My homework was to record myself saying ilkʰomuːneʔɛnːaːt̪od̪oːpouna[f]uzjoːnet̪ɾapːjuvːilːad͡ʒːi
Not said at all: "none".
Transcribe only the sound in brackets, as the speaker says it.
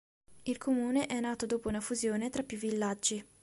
f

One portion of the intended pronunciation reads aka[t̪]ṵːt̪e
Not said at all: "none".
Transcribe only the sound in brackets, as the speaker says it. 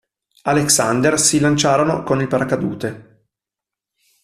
d̪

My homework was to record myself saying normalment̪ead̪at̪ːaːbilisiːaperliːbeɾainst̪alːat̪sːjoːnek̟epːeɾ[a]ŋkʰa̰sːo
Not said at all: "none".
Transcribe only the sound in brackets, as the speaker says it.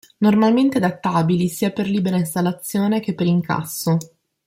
i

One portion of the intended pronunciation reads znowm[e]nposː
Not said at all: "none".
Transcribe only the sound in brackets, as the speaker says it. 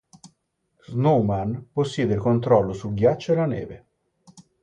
a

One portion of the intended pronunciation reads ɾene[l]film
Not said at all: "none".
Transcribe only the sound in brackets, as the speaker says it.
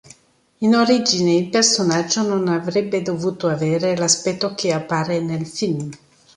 l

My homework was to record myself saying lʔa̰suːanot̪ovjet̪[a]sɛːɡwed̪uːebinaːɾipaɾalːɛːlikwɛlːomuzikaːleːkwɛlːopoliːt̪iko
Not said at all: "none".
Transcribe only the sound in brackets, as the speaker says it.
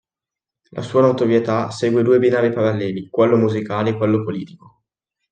a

